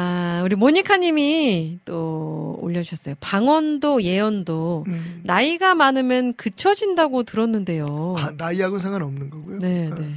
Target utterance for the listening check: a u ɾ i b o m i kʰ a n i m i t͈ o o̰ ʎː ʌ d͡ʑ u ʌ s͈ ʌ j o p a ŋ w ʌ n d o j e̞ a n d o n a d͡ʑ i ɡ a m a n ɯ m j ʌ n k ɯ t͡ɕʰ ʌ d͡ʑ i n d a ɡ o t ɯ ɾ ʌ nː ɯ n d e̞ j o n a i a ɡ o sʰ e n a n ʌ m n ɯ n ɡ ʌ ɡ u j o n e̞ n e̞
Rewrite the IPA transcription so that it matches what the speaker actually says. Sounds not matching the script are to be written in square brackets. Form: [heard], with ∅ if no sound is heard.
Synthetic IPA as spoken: a u ɾ i [m] o [ɲ] i kʰ a [ɲ] i m i t͈ o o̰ ʎː ʌ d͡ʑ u ʌ s͈ ʌ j o p a ŋ w ʌ n d o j e̞ [ʌ] n d o n a [∅] i ɡ a m a n ɯ m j ʌ n k ɯ t͡ɕʰ ʌ d͡ʑ i n d a ɡ o t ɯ ɾ ʌ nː ɯ n d e̞ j o n a i a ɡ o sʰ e [ŋ] a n ʌ m n ɯ n ɡ ʌ ɡ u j o n e̞ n e̞